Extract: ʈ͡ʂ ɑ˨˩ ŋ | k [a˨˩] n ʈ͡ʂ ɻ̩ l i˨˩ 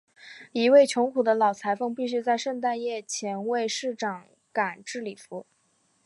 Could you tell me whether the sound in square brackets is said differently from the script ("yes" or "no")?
no